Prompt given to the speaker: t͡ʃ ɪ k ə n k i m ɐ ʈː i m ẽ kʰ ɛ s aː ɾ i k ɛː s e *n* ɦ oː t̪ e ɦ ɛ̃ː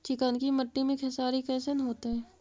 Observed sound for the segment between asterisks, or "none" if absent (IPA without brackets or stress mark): n